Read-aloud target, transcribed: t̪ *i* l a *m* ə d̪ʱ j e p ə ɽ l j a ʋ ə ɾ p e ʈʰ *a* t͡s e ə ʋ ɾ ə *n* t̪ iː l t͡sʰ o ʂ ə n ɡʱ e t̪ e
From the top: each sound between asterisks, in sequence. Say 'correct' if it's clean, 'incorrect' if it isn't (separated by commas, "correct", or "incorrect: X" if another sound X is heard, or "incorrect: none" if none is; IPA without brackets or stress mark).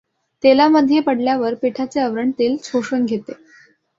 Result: incorrect: e, correct, correct, incorrect: ɳ